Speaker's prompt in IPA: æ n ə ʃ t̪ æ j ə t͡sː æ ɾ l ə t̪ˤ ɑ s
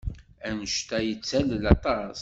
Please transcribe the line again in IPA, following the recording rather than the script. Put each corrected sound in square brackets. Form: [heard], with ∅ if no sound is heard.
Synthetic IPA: æ n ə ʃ t̪ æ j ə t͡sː æ [l] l [ɑ] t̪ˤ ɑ s